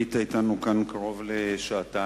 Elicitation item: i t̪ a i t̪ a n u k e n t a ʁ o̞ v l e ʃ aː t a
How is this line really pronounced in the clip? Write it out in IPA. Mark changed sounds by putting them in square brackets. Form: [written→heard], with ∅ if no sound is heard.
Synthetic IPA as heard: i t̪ a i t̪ a n u k [e→a] n [t→k] a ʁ o̞ v l e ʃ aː t a

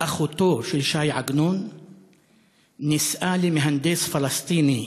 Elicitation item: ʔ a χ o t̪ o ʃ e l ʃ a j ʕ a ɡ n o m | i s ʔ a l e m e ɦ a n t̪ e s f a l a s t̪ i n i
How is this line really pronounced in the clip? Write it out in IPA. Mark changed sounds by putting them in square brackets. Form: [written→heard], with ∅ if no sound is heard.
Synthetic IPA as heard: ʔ a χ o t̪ o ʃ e l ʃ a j ʕ a ɡ n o [m→n] | i s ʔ a l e m e ɦ a n [t̪→d̪] e s f a l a s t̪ i n i

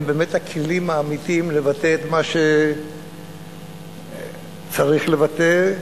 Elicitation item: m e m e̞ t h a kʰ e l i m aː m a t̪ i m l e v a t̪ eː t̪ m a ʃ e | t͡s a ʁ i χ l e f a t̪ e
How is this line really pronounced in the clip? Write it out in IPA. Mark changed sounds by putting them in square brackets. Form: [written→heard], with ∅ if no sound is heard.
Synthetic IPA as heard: [m→b] e m e̞ t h a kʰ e l i m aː m [a→i] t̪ i m l e v a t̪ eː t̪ m a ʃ e | t͡s a ʁ i χ l e [f→v] a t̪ e

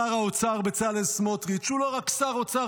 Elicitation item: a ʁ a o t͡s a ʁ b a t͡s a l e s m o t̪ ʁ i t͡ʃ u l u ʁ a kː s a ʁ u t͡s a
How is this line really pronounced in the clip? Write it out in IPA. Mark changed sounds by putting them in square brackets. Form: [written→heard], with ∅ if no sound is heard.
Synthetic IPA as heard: a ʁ a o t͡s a ʁ b [a→e] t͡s a l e s m o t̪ ʁ i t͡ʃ u l [u→o] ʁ a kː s a ʁ [u→o] t͡s a

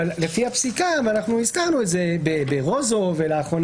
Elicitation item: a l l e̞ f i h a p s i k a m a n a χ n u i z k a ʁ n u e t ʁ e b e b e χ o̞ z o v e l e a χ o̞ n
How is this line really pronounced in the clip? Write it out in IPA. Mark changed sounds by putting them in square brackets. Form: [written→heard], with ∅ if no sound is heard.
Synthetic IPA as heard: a l l e̞ f i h a p s i k a m a n a χ n u i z k a ʁ n u e t [ʁ→z] e b e b e [χ→ʁ] o̞ z o v e l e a χ o̞ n

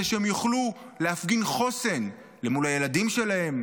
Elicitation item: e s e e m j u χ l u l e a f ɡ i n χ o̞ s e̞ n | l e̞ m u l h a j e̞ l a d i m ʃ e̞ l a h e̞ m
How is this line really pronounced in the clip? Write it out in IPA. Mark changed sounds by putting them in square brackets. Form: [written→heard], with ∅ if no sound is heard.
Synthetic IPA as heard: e [s→ʃ] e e m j u χ l u l e a f ɡ i n χ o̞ s e̞ n | l e̞ m u l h a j e̞ l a d i m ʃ e̞ l a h e̞ m

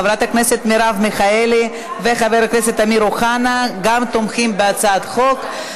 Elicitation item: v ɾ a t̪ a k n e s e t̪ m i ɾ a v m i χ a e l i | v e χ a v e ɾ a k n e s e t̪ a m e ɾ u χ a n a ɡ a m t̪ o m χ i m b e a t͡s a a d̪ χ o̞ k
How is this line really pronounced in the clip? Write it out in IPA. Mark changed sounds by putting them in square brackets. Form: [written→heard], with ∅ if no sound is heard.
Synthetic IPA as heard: v ɾ a t̪ a k n e s e t̪ m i ɾ a v m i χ a e l i | v e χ a v e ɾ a k n e s e t̪ a m [e→i] ɾ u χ a n a ɡ a m t̪ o m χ i m b e a t͡s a a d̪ χ o̞ k

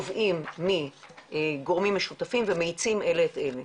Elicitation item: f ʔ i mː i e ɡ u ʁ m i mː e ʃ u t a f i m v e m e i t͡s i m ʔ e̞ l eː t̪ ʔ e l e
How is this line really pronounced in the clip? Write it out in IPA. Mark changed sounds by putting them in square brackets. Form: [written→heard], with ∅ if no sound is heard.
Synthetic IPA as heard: [f→v] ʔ i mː i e ɡ [u→o] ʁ m i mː e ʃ u t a f i m v e m e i t͡s i m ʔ e̞ l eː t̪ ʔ e l e

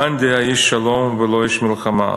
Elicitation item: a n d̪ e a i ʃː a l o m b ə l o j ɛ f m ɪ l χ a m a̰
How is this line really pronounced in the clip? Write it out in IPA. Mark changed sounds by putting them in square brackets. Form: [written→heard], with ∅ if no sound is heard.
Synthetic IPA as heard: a n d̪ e a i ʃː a l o m [b→v] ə l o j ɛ [f→ʃ] m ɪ l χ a m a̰

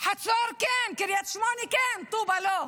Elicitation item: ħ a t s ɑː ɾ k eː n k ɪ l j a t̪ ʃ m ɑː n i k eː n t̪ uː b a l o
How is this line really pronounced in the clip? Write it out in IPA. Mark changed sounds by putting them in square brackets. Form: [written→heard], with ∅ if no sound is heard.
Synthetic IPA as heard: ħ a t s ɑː ɾ k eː n k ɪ [l→ɾ] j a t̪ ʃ m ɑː n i k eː n t̪ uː b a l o

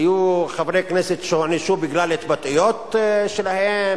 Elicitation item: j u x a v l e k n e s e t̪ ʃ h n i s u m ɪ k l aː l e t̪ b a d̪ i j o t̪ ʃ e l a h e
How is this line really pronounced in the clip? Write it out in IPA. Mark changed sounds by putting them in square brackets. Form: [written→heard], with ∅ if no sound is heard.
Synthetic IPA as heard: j u x a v [l→ɾ] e k n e s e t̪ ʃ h n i [s→ʃ] u [m→b] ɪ [k→ɡ] l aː l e t̪ b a [d̪→t̪] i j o t̪ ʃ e l a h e

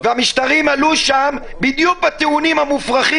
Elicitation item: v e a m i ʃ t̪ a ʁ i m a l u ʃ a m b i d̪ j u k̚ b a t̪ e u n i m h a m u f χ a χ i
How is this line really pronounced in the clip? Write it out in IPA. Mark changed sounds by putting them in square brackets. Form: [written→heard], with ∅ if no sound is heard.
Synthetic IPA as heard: v e a m i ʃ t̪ a ʁ i m a l u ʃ a m b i d̪ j u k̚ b a t̪ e u n i m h a m u f [χ→ʁ] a χ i

